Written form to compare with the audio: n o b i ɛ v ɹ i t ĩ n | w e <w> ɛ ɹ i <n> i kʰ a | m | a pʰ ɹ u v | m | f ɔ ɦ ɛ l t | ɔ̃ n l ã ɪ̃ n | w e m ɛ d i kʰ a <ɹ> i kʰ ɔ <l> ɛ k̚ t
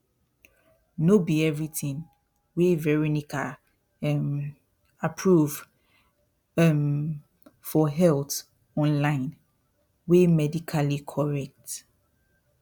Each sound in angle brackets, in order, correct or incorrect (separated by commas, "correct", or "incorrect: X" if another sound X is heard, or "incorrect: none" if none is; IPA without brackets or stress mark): incorrect: v, correct, incorrect: l, incorrect: ɹ